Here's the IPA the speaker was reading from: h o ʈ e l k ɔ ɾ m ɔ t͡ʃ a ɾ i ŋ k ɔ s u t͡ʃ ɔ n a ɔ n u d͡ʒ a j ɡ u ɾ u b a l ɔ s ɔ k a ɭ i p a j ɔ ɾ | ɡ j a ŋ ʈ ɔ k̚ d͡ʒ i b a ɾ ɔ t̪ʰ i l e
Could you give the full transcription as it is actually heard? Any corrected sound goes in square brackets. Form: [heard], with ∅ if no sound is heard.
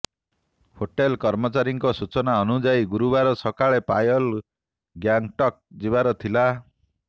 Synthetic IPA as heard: h o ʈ e l k ɔ ɾ m ɔ t͡ʃ a ɾ i ŋ k ɔ s u t͡ʃ ɔ n a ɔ n u d͡ʒ a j ɡ u ɾ u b a [ɾ] ɔ s ɔ k a ɭ [e] p a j ɔ [l] | ɡ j a ŋ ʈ ɔ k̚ d͡ʒ i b a ɾ ɔ t̪ʰ i l [a]

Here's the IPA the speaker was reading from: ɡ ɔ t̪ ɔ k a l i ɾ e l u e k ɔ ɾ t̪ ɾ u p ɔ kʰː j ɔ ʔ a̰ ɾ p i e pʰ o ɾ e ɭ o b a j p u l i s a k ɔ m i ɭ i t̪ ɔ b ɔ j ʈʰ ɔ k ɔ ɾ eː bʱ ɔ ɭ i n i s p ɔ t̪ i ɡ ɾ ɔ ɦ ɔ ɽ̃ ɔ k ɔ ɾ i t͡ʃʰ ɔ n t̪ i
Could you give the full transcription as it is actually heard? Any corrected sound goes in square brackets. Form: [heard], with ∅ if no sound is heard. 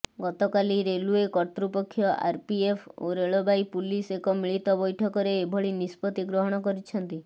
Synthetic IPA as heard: ɡ ɔ t̪ ɔ k a l i ɾ e l u e k ɔ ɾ t̪ ɾ u p ɔ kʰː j ɔ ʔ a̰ ɾ p i e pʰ o ɾ e ɭ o b a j p u l i s [e] k ɔ m i ɭ i t̪ ɔ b ɔ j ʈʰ ɔ k ɔ ɾ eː bʱ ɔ ɭ i n i s p ɔ t̪ i ɡ ɾ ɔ ɦ ɔ ɽ̃ ɔ k ɔ ɾ i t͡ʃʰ ɔ n t̪ i

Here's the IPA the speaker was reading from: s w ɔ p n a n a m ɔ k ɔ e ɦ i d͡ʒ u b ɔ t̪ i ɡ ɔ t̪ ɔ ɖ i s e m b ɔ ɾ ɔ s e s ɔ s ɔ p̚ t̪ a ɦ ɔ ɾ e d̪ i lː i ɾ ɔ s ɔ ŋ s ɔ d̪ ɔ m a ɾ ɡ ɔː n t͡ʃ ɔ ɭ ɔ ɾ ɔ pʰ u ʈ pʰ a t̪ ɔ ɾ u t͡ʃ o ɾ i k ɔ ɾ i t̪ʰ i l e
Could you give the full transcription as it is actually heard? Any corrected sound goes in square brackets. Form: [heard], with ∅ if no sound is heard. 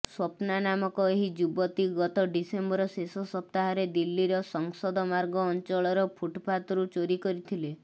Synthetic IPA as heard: s w ɔ p n a n a m ɔ k ɔ e ɦ i d͡ʒ u b ɔ t̪ i ɡ ɔ t̪ ɔ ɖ i s e m b ɔ ɾ ɔ s e s ɔ s ɔ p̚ t̪ a ɦ ɔ ɾ e d̪ i lː i ɾ ɔ s ɔ ŋ s ɔ d̪ ɔ m a ɾ ɡ ɔː n t͡ʃ ɔ ɭ ɔ ɾ ɔ pʰ u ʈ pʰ a t̪ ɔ ɾ u t͡ʃ o ɾ i k ɔ ɾ i t̪ʰ i l e

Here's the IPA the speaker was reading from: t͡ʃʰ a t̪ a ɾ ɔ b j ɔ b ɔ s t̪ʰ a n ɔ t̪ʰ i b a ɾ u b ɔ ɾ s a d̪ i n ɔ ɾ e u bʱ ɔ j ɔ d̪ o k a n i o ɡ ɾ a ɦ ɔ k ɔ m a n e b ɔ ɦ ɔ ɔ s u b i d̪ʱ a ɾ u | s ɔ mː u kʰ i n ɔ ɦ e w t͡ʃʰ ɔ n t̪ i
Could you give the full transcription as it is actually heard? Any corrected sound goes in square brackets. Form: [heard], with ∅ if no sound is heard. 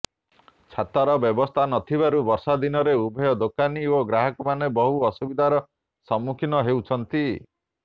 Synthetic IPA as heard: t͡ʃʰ a t̪ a ɾ ɔ b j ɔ b ɔ s t̪ʰ a n ɔ t̪ʰ i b a ɾ u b ɔ ɾ s a d̪ i n ɔ ɾ e u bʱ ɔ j ɔ d̪ o k a n i o ɡ ɾ a ɦ ɔ k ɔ m a n e b ɔ ɦ [u] ɔ s u b i d̪ʱ a ɾ [ɔ] | s ɔ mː u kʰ i n ɔ ɦ e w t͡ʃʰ ɔ n t̪ i

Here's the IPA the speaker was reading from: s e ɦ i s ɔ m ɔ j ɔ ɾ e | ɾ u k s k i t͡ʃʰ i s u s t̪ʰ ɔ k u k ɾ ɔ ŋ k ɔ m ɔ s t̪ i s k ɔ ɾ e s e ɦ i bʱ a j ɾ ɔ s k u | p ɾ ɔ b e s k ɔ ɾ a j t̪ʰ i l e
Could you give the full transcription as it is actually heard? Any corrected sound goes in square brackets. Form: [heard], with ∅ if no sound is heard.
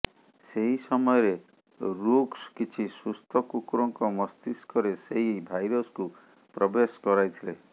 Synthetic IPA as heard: s e ɦ i s ɔ m ɔ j ɔ ɾ e | ɾ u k s k i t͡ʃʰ i s u s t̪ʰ ɔ k u k ɾ ɔ ŋ k ɔ m ɔ s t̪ i s k ɔ ɾ e s e ɦ i bʱ a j ɾ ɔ s k u | p ɾ ɔ b e s k ɔ ɾ a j t̪ʰ i l e

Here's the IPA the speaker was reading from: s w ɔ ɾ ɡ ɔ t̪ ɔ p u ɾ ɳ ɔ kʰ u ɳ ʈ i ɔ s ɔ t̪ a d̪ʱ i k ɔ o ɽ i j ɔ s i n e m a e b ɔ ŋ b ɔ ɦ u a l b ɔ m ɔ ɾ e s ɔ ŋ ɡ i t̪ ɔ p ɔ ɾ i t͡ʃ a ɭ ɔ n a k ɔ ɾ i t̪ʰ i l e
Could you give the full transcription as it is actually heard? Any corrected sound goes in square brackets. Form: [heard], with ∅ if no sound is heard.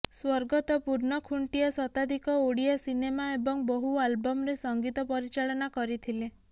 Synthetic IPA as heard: s w ɔ ɾ ɡ ɔ t̪ ɔ p u ɾ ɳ ɔ kʰ u ɳ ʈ i ɔ s ɔ t̪ a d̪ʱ i k ɔ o ɽ i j ɔ s i n e m a e b ɔ ŋ b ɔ ɦ u a l b ɔ m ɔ ɾ e s ɔ ŋ ɡ i t̪ ɔ p ɔ ɾ i t͡ʃ a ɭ ɔ n a k ɔ ɾ i t̪ʰ i l e

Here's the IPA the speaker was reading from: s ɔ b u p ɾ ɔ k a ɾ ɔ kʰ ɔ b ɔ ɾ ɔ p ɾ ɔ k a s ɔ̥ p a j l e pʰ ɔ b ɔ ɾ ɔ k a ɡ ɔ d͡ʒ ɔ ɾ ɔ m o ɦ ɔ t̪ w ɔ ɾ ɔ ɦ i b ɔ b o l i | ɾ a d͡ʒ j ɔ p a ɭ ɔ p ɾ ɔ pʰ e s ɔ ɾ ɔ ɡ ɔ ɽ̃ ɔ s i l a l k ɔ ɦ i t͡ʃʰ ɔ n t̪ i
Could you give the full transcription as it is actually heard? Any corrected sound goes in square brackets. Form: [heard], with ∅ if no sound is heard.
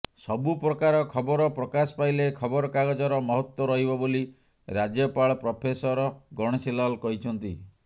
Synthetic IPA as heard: s ɔ b u p ɾ ɔ k a ɾ ɔ kʰ ɔ b ɔ ɾ ɔ p ɾ ɔ k a s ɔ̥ p a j l e [kʰ] ɔ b ɔ ɾ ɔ k a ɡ ɔ d͡ʒ ɔ ɾ ɔ m [ɔ] ɦ ɔ t̪ w ɔ ɾ ɔ ɦ i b ɔ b o l i | ɾ a d͡ʒ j ɔ p a ɭ ɔ p ɾ ɔ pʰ e s ɔ ɾ ɔ ɡ ɔ ɽ̃ ɔ s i l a l k ɔ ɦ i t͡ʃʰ ɔ n t̪ i

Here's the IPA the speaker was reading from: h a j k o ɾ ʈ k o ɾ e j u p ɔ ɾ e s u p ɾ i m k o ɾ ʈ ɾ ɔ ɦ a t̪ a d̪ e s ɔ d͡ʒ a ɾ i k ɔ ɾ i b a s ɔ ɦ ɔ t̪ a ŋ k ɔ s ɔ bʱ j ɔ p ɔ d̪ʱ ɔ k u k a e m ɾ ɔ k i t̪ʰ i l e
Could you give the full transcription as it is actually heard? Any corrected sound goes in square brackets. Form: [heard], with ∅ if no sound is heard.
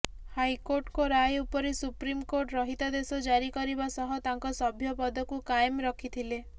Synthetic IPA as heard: h a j k o ɾ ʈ k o ɾ [a] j u p ɔ ɾ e s u p ɾ i m k o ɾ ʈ ɾ ɔ ɦ [i] t̪ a d̪ e s ɔ d͡ʒ a ɾ i k ɔ ɾ i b a s ɔ ɦ ɔ t̪ a ŋ k ɔ s ɔ bʱ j ɔ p ɔ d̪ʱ ɔ k u k a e m ɾ ɔ [kʰ] i t̪ʰ i l e

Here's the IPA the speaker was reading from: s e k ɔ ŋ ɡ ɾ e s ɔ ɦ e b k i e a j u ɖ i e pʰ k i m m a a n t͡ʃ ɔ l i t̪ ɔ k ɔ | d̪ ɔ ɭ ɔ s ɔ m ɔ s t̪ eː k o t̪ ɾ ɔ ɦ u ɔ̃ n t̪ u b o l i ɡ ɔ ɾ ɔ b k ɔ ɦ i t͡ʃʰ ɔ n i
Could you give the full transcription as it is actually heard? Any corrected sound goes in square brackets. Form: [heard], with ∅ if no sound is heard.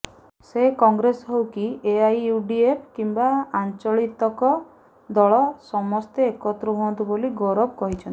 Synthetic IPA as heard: s e k ɔ ŋ ɡ ɾ e s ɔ ɦ e [w] k i e a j u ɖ i e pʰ k i m [b] a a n t͡ʃ ɔ [ɭ] i t̪ ɔ k ɔ | d̪ ɔ ɭ ɔ s ɔ m ɔ s t̪ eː k [ɔ] t̪ ɾ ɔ ɦ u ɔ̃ n t̪ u b o l i ɡ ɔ ɾ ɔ b k ɔ ɦ i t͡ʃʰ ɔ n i

